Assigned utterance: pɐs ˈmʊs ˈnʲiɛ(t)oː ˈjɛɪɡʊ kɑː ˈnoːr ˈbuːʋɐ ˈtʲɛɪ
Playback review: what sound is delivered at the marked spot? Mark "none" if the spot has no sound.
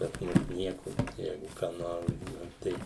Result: k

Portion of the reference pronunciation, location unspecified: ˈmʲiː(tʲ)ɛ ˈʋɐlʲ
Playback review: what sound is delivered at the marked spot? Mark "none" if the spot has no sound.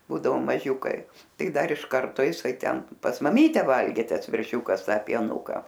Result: tʲ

